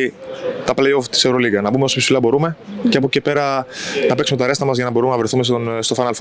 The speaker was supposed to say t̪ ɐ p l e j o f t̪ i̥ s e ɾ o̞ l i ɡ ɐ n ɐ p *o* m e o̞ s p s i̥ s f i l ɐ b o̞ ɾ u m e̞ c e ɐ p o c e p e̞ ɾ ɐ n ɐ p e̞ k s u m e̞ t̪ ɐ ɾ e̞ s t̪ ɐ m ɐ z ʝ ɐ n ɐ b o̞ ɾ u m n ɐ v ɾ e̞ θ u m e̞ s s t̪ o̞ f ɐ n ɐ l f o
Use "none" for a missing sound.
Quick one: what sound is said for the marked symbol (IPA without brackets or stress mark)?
u